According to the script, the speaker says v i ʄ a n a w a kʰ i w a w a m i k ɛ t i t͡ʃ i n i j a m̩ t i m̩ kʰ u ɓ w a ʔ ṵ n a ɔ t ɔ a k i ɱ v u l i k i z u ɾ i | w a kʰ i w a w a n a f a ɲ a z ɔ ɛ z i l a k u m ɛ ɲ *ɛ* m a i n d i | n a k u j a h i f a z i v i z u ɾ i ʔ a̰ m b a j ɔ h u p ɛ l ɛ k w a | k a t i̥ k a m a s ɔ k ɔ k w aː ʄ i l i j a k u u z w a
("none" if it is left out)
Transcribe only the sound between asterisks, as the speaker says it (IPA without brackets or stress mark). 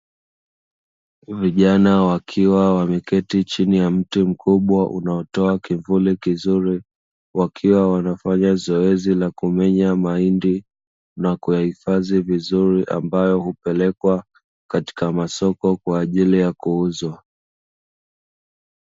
a